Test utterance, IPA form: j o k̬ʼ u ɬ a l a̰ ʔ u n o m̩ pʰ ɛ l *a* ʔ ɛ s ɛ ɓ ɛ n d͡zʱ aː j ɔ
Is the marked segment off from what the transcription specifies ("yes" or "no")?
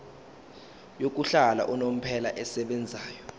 no